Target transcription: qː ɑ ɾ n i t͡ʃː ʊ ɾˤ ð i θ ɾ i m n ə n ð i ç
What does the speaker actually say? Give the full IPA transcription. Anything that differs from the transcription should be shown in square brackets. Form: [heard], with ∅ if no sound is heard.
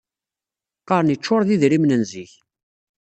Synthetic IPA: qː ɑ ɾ n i t͡ʃː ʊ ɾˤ ð i [ð] ɾ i m n ə n [z] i ç